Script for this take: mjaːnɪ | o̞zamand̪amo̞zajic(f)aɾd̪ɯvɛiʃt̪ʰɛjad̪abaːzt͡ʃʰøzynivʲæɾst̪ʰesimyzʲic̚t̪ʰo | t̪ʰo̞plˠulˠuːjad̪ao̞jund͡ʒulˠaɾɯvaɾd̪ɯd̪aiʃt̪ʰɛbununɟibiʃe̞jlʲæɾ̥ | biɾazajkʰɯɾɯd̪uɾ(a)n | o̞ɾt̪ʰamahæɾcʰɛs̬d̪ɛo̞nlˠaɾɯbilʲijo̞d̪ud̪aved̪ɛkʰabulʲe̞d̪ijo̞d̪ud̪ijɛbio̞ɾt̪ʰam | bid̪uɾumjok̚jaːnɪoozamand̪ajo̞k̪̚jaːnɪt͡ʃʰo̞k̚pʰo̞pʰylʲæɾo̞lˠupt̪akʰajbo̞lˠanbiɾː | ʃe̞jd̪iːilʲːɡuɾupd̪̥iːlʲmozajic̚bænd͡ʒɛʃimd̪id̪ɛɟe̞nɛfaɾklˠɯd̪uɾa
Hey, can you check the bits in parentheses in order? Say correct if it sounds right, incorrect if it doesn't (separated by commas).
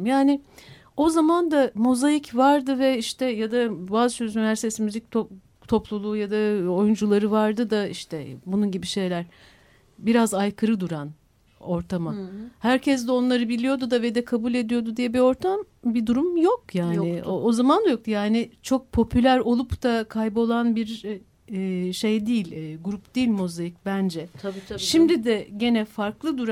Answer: incorrect, correct